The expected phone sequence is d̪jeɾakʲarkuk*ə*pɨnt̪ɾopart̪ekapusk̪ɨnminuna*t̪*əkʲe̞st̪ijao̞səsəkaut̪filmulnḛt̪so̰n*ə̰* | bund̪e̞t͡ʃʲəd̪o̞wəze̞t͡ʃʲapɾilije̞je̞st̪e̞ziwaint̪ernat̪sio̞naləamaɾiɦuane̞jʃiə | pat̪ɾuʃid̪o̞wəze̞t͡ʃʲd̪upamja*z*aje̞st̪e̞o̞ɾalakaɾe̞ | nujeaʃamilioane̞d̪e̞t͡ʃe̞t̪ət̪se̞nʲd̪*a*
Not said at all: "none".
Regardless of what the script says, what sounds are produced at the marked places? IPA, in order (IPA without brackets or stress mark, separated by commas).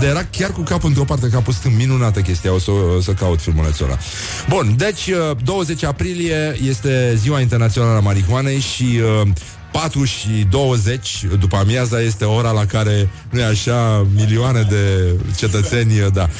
a, t̪, a̰, z, a